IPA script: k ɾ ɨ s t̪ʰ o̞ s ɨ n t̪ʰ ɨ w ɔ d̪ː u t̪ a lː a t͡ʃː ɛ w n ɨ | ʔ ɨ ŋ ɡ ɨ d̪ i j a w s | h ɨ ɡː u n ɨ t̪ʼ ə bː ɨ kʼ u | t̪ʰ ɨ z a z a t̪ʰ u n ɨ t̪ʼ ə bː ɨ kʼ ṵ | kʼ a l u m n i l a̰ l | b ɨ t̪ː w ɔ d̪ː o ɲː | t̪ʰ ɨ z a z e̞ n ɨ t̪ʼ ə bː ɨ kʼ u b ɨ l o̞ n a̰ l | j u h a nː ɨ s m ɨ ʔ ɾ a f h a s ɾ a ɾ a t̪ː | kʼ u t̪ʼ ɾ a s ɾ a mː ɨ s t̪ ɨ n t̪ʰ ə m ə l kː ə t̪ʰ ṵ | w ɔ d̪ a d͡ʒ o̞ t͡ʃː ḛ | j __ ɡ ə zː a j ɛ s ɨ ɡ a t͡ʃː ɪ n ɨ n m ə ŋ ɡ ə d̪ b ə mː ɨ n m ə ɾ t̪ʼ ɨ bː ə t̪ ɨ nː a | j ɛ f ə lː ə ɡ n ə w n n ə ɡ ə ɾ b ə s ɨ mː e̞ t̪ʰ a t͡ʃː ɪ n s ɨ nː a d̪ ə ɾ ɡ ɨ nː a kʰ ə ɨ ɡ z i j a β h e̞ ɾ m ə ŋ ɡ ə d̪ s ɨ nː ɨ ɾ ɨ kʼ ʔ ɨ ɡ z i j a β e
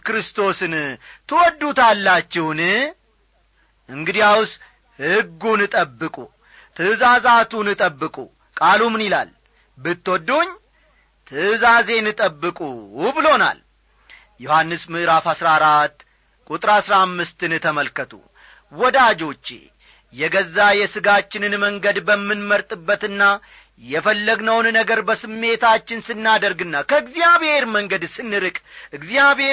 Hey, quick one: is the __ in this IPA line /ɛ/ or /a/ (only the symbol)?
ɛ